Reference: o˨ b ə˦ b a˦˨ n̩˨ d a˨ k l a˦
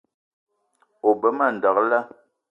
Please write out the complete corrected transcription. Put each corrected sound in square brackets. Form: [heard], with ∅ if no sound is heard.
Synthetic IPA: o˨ b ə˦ [m] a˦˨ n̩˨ d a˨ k l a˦